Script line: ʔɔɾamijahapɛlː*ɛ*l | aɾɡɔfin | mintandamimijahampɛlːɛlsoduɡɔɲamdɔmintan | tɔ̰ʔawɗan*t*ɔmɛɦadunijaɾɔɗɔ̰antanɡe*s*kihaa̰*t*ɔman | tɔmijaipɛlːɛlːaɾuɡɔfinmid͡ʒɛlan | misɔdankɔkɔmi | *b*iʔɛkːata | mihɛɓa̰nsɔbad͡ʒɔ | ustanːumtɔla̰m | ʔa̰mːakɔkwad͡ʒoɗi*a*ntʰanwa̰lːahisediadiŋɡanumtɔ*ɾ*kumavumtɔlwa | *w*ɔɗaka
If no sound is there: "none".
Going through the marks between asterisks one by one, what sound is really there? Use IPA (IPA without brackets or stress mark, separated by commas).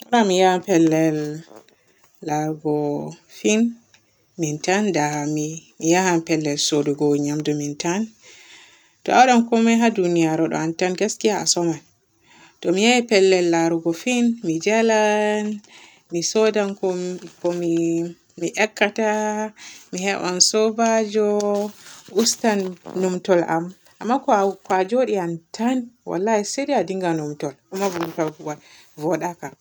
ɛ, k, s, s, m, a, l, v